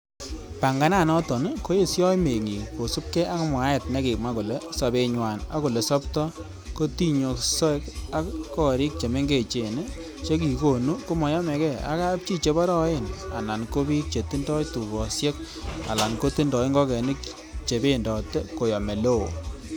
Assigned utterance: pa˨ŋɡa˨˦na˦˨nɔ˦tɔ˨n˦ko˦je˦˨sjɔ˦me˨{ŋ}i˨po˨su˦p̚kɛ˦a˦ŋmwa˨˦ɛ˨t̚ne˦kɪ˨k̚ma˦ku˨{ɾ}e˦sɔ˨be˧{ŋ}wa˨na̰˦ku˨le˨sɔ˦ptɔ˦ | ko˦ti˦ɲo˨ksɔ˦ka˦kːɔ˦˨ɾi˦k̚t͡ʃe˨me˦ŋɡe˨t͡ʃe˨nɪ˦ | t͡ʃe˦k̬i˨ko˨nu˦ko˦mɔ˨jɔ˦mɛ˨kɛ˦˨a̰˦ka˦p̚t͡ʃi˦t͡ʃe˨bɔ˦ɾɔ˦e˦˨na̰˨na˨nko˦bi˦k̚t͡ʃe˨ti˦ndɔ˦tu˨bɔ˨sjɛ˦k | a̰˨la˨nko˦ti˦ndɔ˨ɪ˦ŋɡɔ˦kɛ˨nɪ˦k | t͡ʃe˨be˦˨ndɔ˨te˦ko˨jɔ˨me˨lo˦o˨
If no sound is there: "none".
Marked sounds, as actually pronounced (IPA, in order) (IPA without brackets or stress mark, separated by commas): ŋ, l, ɲ